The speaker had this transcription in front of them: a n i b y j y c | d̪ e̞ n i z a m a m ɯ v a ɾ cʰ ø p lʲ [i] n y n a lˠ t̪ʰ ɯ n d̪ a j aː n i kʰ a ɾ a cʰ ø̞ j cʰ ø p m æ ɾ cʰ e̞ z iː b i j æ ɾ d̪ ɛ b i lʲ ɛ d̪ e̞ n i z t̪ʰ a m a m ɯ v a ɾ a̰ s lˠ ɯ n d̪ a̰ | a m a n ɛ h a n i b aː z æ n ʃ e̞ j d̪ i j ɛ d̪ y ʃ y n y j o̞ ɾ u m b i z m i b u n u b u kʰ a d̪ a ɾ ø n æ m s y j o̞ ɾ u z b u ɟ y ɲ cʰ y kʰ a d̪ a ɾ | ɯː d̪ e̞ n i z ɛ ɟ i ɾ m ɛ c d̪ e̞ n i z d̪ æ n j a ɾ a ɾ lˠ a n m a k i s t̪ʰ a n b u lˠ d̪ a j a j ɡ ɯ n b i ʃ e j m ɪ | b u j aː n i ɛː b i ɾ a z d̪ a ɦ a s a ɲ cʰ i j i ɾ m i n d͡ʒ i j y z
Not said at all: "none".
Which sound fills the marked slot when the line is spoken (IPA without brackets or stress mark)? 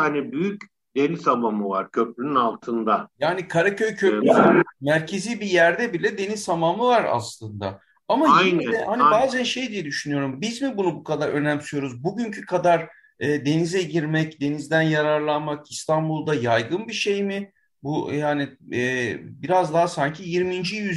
y